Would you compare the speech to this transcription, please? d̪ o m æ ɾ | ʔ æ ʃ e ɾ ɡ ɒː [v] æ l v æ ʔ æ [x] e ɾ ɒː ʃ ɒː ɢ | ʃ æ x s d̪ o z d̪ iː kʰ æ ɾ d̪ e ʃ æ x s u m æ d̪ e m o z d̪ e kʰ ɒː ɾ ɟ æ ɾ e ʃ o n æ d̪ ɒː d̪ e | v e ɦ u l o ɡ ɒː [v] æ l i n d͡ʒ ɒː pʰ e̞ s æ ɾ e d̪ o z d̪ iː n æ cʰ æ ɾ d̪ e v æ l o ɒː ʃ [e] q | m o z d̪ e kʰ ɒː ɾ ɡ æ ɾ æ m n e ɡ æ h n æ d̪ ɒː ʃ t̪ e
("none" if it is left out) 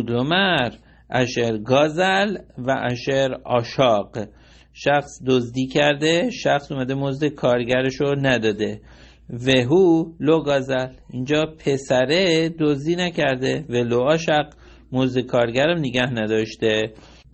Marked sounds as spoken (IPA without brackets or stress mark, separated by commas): z, ʃ, z, æ